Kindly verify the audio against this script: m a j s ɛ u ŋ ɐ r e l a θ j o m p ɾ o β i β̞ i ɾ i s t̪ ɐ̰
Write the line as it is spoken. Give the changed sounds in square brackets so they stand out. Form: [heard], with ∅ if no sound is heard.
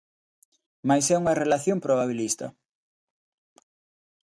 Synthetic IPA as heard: m a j s ɛ u ŋ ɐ r e l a θ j o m p ɾ o β [a] β̞ i [l] i s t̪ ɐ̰